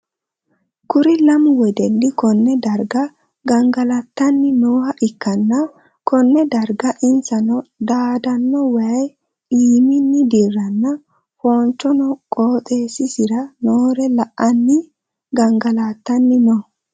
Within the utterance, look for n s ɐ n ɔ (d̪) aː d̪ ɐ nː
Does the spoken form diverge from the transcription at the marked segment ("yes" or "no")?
no